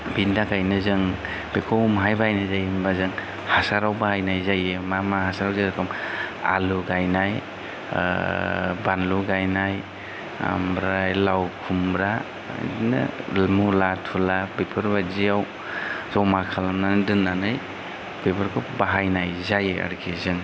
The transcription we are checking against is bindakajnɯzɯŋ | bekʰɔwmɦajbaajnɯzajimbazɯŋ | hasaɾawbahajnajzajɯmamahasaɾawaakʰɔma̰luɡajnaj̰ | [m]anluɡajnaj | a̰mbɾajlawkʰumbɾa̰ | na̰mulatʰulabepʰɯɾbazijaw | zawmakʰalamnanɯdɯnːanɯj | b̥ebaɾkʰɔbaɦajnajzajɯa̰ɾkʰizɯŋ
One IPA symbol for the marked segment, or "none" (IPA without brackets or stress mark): b